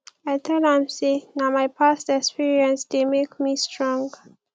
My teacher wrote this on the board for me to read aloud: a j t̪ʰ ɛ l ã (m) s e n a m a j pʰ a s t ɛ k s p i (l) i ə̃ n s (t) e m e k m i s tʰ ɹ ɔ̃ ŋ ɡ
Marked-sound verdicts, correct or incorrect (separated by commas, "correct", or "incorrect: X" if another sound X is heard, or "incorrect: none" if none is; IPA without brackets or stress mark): correct, incorrect: ɹ, incorrect: d